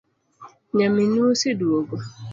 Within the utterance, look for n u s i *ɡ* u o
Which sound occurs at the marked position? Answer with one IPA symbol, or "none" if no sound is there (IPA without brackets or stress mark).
d